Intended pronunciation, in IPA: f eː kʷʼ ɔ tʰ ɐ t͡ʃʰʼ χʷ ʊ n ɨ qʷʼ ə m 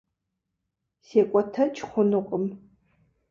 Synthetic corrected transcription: s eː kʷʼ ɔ tʰ ɐ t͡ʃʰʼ χʷ ʊ n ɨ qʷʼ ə m